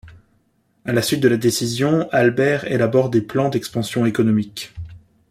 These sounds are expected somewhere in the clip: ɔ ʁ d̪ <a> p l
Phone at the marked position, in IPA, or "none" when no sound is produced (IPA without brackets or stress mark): e